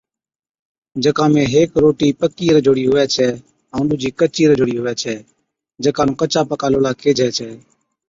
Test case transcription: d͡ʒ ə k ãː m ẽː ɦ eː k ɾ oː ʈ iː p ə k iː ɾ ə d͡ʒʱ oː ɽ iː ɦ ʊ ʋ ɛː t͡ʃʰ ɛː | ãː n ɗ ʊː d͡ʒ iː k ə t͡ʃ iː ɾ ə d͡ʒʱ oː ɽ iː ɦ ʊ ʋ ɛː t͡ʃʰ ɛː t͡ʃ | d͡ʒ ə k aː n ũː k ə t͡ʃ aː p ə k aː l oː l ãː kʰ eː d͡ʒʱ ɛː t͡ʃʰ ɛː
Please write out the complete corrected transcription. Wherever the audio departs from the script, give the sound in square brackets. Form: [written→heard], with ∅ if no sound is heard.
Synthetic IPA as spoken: d͡ʒ ə k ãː m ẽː ɦ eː k ɾ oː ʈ iː p ə k iː ɾ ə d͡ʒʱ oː ɽ iː ɦ ʊ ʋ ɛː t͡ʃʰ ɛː | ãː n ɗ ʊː d͡ʒ iː k ə t͡ʃ iː ɾ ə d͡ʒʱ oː ɽ iː ɦ ʊ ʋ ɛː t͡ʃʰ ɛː [t͡ʃ→∅] | d͡ʒ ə k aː n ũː k ə t͡ʃ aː p ə k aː l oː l [ãː→aː] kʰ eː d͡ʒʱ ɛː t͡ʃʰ ɛː